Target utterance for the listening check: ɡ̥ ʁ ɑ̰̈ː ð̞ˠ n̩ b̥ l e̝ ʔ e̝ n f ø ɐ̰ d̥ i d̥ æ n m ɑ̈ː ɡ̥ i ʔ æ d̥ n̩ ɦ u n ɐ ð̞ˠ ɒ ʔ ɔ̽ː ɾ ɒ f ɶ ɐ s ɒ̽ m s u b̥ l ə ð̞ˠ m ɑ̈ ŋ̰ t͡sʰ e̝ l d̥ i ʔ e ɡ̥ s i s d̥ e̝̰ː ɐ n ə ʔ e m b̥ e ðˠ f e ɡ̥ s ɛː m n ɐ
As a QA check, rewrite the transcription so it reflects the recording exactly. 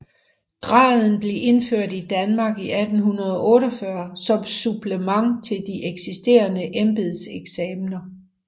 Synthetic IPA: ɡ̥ ʁ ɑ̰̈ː ð̞ˠ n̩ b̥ l e̝ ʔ e̝ n f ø ɐ̰ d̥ i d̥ æ n m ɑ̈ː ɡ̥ i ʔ æ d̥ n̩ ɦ u n ɐ ð̞ˠ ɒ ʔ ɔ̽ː ɾ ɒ f ɶ ɐ s ɒ̽ m s u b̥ l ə m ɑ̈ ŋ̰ t͡sʰ e̝ l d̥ i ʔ e ɡ̥ s i s d̥ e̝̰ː ɐ n ə ʔ e m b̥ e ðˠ s e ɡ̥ s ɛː m n ɐ